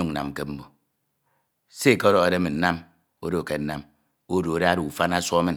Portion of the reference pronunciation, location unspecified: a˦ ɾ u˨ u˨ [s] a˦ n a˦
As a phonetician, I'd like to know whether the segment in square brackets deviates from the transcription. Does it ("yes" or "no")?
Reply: yes